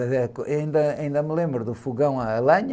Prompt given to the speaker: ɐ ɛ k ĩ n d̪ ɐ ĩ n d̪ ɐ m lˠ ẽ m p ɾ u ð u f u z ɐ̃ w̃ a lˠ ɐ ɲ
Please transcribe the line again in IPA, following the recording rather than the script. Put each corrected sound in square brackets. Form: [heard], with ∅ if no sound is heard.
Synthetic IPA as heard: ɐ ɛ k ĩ n d̪ ɐ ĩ n d̪ ɐ m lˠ ẽ m [b] ɾ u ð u f u [ɣ] ɐ̃ w̃ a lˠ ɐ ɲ